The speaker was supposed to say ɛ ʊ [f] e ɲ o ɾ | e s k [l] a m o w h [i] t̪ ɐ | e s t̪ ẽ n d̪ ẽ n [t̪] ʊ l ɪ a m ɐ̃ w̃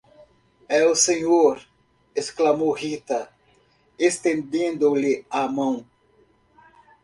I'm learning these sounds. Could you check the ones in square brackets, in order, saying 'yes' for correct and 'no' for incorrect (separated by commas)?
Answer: no, yes, yes, no